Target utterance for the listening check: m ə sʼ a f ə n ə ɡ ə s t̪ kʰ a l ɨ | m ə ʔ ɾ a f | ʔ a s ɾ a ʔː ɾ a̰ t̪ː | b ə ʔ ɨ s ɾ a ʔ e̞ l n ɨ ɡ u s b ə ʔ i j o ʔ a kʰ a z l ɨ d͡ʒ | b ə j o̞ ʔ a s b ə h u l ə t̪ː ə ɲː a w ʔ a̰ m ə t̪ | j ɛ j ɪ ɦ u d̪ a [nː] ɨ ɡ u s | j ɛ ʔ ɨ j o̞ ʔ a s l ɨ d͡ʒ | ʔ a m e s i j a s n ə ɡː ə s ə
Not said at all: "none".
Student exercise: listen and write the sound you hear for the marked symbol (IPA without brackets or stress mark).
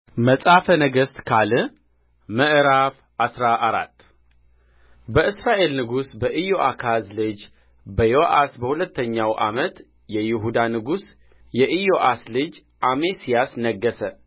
n